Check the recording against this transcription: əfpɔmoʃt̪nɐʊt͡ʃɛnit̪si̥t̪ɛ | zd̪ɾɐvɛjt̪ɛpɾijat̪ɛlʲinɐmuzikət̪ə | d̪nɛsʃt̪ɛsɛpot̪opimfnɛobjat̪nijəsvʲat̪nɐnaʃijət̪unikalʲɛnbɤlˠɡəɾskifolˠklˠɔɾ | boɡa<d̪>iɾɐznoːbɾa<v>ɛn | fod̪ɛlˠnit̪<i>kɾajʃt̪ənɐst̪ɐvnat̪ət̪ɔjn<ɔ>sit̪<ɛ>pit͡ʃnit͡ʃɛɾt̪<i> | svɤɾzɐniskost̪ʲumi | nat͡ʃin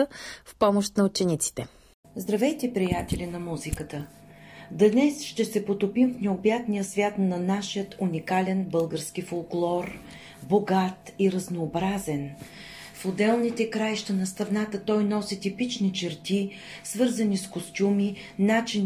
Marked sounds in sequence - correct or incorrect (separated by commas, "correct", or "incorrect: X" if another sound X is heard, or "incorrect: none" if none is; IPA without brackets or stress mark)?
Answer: incorrect: t̪, incorrect: z, incorrect: ɛ, correct, incorrect: i, correct